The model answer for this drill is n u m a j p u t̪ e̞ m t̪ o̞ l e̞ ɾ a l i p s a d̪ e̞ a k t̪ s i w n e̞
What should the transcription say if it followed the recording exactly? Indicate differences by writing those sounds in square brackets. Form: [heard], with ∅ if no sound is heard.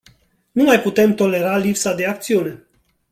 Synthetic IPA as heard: n u m a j p u t̪ e̞ m t̪ o̞ l e̞ ɾ a l i p s a d̪ e̞ a k t̪ s i [u] n e̞